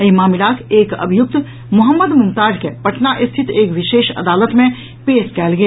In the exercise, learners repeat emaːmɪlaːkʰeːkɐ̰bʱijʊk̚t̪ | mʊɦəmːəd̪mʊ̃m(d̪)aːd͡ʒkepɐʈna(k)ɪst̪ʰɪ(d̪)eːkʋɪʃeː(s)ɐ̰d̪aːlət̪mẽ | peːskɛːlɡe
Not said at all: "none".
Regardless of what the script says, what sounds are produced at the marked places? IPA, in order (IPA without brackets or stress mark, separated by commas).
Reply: t̪, ʔ, t̪, ʃ